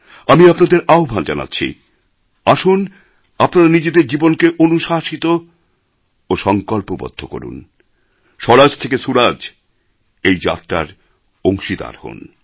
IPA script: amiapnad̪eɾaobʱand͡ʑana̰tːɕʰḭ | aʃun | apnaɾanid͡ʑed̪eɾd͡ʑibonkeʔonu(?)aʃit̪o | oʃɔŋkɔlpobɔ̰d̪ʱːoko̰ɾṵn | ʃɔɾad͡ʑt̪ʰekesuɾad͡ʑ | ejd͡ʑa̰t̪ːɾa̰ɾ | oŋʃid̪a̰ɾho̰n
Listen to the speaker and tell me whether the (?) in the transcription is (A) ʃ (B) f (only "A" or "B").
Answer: A